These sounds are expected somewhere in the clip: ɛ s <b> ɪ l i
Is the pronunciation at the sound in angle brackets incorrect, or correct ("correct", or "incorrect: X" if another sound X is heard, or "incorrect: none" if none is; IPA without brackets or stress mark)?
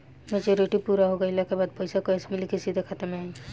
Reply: incorrect: m